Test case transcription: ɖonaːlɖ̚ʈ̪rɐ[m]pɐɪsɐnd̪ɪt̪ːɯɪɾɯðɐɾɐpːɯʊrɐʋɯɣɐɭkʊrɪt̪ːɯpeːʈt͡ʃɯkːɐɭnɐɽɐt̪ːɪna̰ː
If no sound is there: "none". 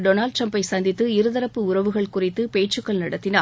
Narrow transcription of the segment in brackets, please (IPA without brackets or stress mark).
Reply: m